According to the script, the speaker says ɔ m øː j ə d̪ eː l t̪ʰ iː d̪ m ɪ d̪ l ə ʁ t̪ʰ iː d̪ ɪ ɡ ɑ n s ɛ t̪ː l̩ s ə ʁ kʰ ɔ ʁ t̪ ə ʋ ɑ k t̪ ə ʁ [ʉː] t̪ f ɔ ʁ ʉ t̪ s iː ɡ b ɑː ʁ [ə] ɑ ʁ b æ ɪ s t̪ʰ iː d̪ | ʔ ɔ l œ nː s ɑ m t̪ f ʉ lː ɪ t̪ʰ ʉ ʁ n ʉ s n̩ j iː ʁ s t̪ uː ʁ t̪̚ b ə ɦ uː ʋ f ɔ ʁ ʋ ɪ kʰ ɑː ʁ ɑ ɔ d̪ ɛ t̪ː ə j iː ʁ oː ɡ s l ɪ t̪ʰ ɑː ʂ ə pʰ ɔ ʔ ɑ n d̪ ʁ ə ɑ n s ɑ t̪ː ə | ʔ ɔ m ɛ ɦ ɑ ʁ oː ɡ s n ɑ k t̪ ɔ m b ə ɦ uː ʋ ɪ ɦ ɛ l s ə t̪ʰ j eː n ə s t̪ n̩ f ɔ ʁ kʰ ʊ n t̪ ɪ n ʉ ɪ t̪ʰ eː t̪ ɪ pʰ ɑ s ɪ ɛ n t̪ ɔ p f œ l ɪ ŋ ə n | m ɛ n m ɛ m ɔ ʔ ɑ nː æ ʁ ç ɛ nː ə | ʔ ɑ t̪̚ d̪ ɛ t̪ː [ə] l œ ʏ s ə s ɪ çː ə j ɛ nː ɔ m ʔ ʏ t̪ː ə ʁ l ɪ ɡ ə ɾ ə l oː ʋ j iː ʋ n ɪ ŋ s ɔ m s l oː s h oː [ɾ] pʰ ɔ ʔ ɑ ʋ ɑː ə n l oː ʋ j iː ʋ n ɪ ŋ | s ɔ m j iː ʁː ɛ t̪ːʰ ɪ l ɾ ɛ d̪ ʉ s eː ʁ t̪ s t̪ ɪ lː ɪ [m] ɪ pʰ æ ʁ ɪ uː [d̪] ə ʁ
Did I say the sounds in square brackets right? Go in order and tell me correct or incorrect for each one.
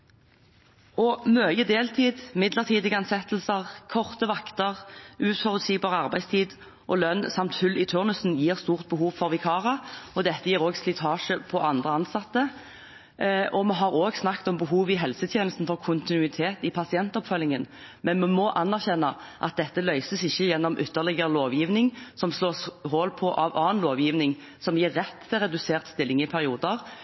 correct, correct, correct, incorrect: l, incorrect: ŋ, correct

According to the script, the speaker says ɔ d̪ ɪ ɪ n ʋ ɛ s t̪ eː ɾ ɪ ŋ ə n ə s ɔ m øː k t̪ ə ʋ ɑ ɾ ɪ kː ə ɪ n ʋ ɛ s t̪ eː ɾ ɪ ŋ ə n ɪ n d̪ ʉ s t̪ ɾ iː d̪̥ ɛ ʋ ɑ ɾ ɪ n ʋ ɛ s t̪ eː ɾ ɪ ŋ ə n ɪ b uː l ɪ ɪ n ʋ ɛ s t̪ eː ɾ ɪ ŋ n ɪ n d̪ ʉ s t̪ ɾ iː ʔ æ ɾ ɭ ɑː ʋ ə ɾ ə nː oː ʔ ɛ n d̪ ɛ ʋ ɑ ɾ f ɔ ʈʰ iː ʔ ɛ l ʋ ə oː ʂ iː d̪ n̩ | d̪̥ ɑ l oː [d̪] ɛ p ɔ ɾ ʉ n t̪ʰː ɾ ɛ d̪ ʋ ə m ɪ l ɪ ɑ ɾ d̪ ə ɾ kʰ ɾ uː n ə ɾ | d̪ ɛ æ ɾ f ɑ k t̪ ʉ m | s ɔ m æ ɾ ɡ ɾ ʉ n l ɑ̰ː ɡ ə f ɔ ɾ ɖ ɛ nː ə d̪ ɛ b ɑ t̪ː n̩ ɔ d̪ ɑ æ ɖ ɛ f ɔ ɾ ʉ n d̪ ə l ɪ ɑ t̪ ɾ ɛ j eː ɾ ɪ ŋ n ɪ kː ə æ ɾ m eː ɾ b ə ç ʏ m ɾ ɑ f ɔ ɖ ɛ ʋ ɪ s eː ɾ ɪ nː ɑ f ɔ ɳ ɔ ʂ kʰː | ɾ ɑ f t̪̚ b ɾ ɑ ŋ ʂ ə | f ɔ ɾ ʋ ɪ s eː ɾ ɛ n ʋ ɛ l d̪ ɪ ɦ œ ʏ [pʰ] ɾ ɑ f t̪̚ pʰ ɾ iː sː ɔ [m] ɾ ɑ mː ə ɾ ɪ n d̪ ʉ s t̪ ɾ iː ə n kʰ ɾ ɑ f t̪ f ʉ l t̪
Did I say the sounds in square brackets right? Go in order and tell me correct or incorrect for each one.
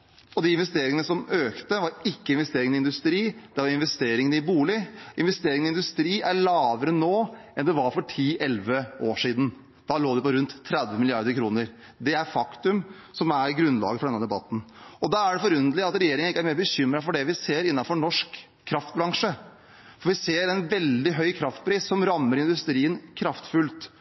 correct, incorrect: kʰ, correct

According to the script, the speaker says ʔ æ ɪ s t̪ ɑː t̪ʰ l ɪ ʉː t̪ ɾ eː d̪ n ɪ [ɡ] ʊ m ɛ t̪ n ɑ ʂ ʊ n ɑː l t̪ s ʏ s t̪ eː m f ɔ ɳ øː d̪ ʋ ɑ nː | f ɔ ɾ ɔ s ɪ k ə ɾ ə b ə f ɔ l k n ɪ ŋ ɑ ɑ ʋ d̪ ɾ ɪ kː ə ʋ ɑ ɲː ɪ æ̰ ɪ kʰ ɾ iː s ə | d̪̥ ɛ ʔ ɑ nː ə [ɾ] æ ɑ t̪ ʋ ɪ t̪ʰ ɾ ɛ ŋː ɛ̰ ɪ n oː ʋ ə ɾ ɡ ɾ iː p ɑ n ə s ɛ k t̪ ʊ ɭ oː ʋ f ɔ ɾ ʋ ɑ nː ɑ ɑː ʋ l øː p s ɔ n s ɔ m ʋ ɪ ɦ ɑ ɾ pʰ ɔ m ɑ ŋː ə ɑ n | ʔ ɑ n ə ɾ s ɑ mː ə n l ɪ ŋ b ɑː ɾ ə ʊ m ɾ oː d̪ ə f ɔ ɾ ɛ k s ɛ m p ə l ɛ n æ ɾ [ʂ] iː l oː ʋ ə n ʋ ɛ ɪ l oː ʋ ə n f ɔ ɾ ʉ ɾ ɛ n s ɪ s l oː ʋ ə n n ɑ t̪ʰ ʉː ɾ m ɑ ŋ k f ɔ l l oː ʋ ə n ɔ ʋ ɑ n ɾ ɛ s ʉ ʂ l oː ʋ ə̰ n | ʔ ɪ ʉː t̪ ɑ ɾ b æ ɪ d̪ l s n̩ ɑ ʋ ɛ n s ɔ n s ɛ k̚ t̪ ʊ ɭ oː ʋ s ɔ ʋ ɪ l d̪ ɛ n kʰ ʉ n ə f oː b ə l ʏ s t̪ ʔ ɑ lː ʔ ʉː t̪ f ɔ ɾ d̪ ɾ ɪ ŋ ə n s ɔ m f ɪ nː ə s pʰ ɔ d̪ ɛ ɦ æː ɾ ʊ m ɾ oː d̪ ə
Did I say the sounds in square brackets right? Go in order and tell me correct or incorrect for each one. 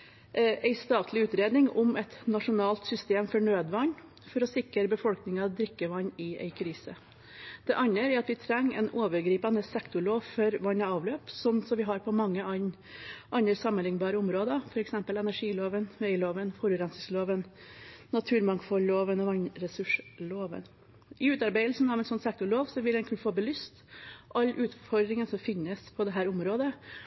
incorrect: ŋ, correct, correct

